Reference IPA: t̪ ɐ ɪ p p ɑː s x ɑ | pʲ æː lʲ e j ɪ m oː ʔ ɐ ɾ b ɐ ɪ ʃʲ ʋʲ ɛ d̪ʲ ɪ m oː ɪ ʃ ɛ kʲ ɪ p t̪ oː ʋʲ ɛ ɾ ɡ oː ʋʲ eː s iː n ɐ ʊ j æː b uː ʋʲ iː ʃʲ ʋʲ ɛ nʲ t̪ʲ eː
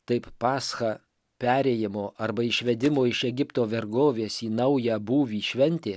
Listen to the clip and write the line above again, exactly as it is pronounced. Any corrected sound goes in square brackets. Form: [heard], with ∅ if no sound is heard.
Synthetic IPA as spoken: t̪ ɐ ɪ p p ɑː s x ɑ | pʲ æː [ɾʲ] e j ɪ m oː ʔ ɐ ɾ b ɐ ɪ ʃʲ ʋʲ ɛ d̪ʲ ɪ m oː ɪ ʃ ɛ [ɡʲ] ɪ p t̪ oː ʋʲ ɛ ɾ ɡ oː ʋʲ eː s iː n ɐ ʊ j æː b uː ʋʲ iː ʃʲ ʋʲ ɛ nʲ t̪ʲ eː